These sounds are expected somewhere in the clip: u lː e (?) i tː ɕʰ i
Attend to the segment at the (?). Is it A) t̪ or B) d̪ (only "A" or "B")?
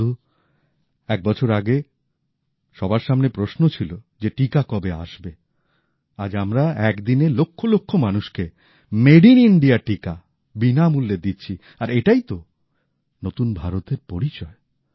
B